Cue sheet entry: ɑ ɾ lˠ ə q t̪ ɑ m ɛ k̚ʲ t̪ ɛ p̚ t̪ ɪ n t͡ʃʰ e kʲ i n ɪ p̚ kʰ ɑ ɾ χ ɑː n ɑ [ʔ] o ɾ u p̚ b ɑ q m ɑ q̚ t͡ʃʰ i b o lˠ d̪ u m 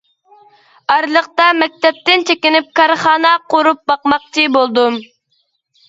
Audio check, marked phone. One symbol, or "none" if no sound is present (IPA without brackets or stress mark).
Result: q